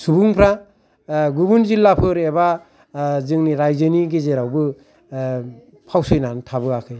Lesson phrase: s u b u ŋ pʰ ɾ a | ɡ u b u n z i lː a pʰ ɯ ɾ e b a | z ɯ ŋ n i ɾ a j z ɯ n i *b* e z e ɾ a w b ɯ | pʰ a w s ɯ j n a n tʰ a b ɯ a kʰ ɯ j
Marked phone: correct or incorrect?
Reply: incorrect